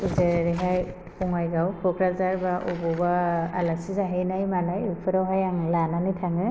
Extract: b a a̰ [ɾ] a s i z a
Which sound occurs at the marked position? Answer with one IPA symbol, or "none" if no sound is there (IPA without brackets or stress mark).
l